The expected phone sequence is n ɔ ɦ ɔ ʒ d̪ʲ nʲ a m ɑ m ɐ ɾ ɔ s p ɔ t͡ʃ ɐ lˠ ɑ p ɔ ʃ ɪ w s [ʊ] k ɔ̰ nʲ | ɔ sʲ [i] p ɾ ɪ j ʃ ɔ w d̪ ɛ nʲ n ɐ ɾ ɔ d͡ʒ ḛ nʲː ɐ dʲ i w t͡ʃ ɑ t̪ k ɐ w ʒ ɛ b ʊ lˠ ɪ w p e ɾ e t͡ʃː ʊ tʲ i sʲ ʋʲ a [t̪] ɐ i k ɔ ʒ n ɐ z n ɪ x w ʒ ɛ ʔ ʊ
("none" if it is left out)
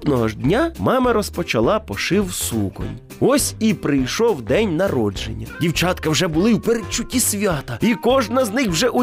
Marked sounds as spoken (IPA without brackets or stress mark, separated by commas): u, i, t̪